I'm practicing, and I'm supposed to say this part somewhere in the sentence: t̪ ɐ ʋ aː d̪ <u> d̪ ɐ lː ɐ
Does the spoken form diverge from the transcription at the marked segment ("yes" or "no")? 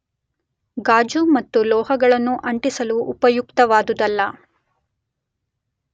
no